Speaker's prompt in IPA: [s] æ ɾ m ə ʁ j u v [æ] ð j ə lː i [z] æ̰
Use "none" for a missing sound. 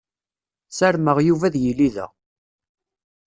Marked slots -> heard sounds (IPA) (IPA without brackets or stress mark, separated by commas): s, æ, ð